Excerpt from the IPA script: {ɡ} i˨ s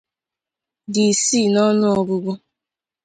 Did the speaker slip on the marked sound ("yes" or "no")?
yes